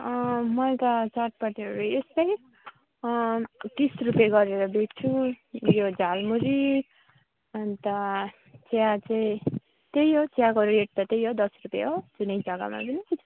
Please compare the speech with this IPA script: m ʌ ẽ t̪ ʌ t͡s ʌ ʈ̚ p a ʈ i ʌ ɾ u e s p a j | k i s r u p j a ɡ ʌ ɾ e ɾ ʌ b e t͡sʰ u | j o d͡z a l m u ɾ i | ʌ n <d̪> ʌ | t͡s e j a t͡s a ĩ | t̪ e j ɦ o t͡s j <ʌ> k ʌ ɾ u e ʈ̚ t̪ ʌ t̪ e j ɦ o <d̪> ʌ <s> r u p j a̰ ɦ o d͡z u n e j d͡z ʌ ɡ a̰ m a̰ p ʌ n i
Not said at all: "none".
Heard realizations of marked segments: t̪, a, d̪, s

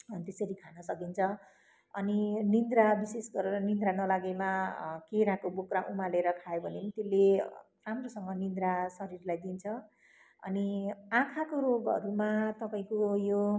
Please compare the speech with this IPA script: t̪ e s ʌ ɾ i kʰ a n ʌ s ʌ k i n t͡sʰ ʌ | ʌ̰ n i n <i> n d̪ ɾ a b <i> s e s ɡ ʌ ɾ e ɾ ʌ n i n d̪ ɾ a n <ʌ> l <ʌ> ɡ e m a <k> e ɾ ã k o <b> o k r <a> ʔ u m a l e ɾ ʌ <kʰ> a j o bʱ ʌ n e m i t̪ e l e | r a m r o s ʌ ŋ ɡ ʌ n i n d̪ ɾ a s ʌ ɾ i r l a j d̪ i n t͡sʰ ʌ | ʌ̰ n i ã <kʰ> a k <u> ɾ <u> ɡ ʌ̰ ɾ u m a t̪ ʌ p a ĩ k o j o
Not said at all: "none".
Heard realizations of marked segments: i, i, ʌ, a, k, b, a, kʰ, kʰ, o, o

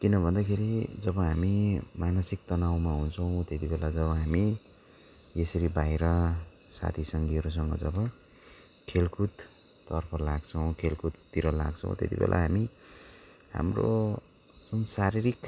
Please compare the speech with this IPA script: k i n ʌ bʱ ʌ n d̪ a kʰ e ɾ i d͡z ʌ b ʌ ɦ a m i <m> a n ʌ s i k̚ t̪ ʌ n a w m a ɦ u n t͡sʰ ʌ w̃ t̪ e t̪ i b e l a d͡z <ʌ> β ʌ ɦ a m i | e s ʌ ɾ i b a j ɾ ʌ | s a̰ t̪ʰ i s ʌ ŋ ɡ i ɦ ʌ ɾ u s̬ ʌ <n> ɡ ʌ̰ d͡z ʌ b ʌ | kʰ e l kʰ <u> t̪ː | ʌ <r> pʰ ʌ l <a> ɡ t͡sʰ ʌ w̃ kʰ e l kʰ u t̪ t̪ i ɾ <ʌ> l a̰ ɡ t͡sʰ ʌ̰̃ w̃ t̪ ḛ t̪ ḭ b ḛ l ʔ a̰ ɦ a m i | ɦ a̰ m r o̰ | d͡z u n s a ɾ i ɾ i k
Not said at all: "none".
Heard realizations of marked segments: m, ʌ, ŋ, u, r, a, ʌ

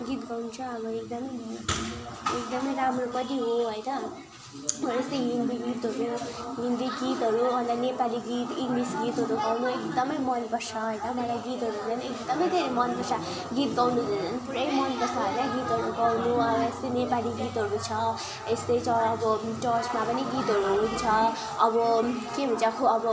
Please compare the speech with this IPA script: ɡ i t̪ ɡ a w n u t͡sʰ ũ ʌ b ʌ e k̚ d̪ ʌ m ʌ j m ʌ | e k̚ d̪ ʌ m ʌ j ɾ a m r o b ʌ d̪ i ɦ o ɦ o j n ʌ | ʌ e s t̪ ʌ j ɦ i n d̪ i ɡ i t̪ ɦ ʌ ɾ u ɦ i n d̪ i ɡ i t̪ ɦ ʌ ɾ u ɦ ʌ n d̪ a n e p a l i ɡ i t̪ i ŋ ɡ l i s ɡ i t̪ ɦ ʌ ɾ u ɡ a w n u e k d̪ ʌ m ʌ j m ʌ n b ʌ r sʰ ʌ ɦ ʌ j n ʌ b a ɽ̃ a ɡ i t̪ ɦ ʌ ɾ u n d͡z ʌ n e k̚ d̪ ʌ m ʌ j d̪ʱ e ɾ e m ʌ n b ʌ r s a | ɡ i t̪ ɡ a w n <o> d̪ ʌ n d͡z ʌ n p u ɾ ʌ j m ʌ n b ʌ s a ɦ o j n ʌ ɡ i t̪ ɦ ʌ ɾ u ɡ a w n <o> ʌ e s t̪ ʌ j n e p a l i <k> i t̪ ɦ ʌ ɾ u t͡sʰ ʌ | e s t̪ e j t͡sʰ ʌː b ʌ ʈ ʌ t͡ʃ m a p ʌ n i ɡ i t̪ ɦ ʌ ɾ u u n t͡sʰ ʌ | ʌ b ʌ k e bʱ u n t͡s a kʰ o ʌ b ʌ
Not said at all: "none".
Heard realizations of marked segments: u, u, ɡ

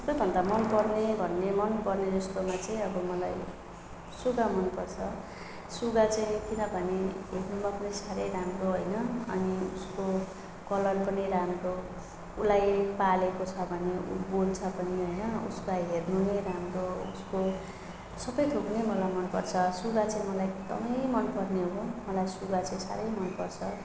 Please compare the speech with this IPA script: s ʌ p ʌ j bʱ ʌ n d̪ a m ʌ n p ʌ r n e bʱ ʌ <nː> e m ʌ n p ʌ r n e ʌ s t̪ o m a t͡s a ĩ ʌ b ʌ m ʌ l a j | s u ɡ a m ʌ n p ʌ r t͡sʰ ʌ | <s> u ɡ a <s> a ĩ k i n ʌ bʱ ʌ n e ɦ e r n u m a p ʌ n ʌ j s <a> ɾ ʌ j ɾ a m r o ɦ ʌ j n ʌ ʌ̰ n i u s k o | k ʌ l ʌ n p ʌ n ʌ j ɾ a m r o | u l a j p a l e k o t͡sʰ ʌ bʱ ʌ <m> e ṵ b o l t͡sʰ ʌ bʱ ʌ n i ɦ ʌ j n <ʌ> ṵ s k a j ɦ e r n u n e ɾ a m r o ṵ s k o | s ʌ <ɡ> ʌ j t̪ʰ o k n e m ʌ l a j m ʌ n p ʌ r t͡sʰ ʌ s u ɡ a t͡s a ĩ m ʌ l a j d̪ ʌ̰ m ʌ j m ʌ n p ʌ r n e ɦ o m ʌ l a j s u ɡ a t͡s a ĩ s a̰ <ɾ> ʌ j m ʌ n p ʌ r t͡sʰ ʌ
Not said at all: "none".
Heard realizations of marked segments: nː, s, t͡s, a, n, ʌ, b, ɾ

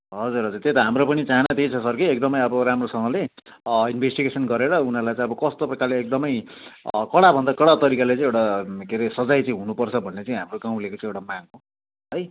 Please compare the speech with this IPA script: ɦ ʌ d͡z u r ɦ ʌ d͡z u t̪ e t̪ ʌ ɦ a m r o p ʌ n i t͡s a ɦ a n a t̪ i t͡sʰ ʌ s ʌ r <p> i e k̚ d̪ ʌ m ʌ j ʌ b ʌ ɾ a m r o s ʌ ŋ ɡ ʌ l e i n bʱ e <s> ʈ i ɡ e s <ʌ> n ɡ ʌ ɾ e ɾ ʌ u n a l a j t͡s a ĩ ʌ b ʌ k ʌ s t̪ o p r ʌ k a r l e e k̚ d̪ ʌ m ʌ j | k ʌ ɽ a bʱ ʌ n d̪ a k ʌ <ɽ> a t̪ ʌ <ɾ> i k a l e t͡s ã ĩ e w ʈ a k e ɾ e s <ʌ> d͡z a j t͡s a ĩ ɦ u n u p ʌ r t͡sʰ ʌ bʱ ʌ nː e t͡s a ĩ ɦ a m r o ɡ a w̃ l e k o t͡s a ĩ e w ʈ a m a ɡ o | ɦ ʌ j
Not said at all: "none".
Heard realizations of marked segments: k, s, ʌ, ɽ, ɾ, ʌ

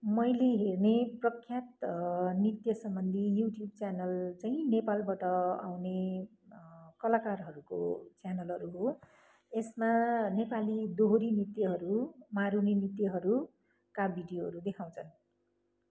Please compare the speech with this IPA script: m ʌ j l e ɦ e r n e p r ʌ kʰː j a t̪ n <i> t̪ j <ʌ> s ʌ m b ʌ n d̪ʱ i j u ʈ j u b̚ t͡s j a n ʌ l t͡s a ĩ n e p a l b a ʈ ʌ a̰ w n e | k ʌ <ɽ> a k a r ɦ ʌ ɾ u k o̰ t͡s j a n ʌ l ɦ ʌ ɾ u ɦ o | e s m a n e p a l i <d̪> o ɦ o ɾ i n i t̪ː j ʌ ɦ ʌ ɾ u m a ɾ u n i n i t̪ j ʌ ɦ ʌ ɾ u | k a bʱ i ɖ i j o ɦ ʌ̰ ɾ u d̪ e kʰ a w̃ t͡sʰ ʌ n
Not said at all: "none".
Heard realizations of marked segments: i, ʌ, l, d̪

